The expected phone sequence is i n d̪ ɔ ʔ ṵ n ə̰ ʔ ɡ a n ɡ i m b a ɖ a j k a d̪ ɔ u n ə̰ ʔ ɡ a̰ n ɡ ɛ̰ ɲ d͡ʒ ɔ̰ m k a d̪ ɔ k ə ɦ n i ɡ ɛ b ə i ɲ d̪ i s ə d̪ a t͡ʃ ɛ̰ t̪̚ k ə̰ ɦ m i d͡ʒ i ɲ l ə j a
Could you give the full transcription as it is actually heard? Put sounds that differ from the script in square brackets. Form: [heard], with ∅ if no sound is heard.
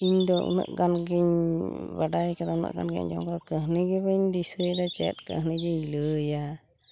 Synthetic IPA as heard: i [ɲ] d̪ ɔ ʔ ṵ n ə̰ ʔ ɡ a n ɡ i [ɲ] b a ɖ a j k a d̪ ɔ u n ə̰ ʔ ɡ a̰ n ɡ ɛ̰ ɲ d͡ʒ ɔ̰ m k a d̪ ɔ k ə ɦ n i ɡ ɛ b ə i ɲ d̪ i s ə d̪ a t͡ʃ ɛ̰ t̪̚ k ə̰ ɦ [n] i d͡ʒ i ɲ l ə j a